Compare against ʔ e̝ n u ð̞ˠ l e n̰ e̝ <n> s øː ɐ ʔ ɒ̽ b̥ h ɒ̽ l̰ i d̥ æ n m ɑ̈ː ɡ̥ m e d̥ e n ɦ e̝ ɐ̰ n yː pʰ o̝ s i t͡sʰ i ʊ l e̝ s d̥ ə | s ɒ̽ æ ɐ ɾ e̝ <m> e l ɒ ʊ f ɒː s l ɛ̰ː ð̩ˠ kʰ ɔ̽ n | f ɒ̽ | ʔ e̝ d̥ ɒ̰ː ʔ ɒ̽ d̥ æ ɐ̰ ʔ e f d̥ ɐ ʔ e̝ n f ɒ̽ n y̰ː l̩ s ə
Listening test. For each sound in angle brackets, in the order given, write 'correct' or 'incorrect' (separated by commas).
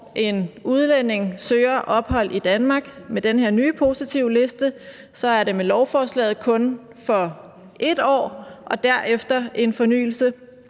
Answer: incorrect, correct